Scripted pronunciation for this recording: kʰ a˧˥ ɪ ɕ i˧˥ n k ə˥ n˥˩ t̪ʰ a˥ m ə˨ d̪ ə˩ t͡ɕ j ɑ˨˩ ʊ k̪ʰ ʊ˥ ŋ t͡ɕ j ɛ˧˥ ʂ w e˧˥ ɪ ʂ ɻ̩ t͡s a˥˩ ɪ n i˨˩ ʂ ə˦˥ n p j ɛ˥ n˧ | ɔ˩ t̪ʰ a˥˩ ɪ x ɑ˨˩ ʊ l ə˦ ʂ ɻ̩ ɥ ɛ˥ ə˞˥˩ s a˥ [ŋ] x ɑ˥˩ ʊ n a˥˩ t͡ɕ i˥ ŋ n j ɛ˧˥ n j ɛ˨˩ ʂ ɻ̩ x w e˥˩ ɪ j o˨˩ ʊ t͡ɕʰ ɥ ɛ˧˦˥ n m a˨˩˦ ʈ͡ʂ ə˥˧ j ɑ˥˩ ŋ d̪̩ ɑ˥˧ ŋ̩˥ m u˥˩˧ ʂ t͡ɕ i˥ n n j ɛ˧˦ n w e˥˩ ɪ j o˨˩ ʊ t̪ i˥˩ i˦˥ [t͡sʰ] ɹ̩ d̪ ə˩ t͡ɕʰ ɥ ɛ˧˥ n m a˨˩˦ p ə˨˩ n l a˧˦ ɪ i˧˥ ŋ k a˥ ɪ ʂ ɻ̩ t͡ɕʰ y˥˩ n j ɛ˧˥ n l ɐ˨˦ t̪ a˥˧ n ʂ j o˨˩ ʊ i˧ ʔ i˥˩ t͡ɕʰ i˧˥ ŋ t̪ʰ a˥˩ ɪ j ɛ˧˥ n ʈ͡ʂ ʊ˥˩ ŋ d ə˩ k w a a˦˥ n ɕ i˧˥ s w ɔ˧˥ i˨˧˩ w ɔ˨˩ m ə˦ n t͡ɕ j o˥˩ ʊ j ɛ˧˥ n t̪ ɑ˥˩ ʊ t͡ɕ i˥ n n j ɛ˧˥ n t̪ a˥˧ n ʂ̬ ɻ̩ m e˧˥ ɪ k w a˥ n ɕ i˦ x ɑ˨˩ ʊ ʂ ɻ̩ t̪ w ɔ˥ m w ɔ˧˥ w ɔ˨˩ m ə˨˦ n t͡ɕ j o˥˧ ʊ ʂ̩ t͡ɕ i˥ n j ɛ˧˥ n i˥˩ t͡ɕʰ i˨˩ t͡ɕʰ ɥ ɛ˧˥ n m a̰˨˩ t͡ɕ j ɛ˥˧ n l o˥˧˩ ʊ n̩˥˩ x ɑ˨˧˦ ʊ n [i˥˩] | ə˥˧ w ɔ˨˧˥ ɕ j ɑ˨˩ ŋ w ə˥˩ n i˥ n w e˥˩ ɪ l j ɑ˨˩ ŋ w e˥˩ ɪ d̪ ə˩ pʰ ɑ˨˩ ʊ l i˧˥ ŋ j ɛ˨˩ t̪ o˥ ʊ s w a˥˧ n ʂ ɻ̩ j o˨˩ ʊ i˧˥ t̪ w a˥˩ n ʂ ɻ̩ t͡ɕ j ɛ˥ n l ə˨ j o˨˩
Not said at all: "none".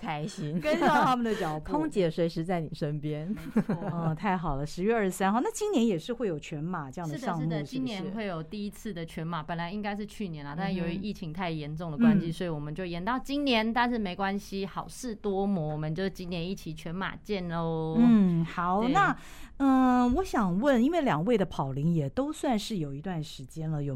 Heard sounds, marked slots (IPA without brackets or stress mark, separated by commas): n, t͡sʰ, a˥˩